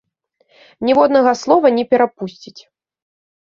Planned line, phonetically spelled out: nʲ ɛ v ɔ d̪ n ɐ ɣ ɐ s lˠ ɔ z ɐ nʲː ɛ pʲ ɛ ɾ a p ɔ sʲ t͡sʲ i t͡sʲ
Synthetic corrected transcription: nʲ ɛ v ɔ d̪ n ɐ ɣ ɐ s lˠ ɔ v ɐ nʲ ɛ pʲ ɛ ɾ a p u sʲ t͡sʲ i t͡sʲ